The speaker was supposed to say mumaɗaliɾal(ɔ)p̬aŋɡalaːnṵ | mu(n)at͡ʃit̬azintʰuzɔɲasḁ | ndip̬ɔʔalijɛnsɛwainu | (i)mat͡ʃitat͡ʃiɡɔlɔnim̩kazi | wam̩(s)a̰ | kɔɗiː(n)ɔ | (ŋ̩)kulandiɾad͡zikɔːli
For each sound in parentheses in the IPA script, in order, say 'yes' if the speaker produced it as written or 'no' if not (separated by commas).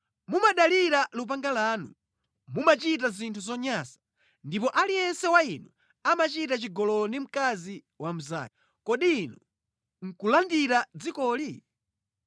no, no, no, no, yes, yes